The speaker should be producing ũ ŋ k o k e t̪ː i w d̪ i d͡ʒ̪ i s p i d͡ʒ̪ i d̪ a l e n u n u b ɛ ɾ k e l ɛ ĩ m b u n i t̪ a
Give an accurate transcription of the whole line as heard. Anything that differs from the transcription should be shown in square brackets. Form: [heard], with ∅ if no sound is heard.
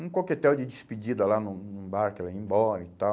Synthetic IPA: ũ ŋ k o k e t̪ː [ɛ] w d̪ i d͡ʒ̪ i s p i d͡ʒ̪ i d̪ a l [a] n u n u b [a] ɾ k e l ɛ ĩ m b [ɔ] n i t̪ a